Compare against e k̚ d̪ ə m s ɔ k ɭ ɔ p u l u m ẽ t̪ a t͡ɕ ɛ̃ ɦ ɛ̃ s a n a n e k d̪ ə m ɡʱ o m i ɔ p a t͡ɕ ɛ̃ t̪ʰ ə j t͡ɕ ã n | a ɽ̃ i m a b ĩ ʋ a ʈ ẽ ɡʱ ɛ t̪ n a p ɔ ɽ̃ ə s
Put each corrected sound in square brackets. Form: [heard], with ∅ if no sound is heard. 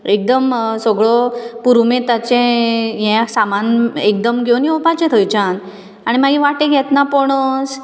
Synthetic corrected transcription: e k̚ d̪ ə m s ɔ [ɡ] ɭ ɔ p u [ɾ] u m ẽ t̪ a t͡ɕ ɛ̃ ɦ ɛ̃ s a [m] a n e k d̪ ə m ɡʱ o [n] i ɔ p a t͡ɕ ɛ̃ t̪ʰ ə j t͡ɕ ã n | a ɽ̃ i m a [ɡ] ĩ ʋ a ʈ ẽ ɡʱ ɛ t̪ n a p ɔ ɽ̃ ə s